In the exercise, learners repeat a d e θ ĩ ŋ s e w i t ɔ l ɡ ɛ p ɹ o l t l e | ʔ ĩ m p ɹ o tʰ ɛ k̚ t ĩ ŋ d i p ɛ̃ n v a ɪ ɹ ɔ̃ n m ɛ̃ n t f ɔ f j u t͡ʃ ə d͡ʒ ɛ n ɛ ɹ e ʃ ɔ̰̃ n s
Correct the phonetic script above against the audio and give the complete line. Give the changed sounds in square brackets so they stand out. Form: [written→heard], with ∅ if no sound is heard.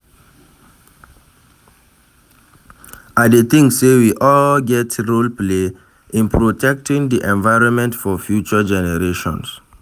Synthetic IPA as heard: a d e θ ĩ ŋ s e w i [t→ʔ] ɔ l ɡ ɛ [p→t] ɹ o l [t→p] l e | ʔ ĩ [m→n] p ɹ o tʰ ɛ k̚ t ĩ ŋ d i [p→ʔ] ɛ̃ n v a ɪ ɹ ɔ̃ n m ɛ̃ n t f ɔ f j u t͡ʃ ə d͡ʒ ɛ n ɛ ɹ e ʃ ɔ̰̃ n s